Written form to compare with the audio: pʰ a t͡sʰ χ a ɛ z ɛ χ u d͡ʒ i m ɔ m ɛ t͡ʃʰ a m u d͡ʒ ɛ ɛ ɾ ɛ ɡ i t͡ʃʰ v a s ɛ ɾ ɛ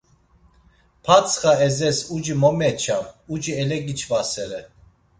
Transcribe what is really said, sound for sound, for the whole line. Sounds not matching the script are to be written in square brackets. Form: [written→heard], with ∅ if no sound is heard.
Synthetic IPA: pʰ a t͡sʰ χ a ɛ z ɛ [χ→s] u d͡ʒ i m ɔ m ɛ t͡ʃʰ a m u d͡ʒ [ɛ→i] ɛ [ɾ→l] ɛ ɡ i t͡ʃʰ v a s ɛ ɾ ɛ